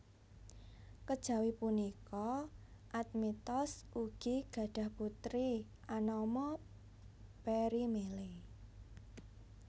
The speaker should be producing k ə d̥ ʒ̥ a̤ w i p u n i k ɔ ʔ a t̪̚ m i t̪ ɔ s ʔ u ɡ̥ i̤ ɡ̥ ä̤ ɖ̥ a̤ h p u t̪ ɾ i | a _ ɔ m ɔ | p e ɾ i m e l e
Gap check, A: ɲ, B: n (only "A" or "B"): B